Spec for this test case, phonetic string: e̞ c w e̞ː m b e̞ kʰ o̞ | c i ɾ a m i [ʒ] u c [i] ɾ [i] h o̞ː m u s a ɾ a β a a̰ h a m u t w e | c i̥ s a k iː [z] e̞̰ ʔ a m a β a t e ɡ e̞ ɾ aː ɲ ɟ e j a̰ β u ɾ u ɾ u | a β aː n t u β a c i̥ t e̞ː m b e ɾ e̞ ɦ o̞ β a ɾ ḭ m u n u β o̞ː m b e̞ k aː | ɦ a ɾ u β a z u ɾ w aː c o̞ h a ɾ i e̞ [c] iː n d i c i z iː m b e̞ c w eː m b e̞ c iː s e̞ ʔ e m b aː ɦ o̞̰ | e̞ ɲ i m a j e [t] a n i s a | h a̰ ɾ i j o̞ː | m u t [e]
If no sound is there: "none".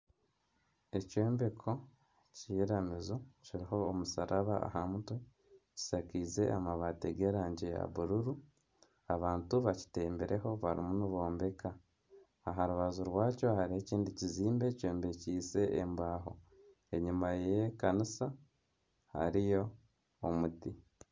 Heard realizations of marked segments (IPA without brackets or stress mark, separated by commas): z, i, i, z, c, k, i